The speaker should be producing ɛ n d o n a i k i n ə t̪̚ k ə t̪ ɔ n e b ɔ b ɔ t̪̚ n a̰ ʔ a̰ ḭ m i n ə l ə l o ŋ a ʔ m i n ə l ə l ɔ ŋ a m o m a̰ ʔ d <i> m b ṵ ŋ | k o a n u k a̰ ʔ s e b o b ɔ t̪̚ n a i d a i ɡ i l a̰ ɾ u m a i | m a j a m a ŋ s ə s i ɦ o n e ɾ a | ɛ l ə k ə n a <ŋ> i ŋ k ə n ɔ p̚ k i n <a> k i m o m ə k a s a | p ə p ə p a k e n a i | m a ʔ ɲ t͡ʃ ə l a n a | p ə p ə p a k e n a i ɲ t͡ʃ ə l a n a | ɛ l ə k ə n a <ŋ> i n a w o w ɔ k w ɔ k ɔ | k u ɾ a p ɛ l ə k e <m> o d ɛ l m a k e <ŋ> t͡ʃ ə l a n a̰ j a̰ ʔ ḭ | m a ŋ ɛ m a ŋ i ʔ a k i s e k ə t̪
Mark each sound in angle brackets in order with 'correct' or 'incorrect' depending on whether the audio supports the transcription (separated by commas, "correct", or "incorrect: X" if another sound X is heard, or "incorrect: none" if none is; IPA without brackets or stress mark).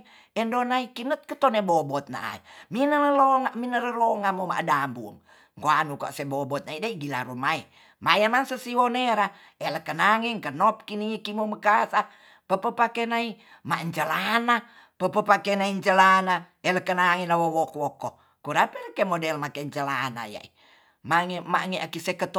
incorrect: a, correct, incorrect: i, correct, correct, incorrect: ɲ